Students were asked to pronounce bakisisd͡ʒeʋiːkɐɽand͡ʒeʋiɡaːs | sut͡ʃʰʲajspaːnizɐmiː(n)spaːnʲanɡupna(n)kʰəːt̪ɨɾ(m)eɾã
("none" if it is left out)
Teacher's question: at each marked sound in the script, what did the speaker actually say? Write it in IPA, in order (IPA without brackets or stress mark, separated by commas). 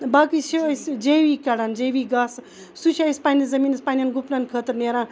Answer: n, n, n